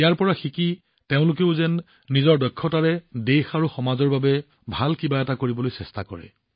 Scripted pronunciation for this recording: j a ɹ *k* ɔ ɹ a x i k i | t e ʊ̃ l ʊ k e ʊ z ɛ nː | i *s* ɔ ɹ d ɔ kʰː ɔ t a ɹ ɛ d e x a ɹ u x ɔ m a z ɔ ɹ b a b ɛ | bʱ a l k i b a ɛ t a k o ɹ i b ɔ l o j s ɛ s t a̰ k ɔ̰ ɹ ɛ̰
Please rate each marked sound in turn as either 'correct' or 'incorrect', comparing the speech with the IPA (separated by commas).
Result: incorrect, incorrect